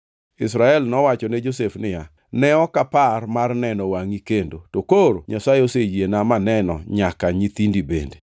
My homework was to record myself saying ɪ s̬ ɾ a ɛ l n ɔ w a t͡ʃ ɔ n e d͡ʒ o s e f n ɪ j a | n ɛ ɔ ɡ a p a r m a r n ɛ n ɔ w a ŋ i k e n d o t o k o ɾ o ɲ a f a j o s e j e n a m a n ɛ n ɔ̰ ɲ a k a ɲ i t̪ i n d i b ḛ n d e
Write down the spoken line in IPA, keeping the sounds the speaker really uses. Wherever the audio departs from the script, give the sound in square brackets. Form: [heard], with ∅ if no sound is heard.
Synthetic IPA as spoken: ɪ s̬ ɾ a ɛ l n ɔ w a t͡ʃ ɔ n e d͡ʒ o s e f n ɪ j a | n ɛ ɔ [k] a p a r m a r n ɛ n ɔ w a ŋ i k e n d o t o k o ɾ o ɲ a [s] a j o s e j e n a m a n ɛ n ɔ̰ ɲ a k a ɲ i t̪ i n d i b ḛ n d e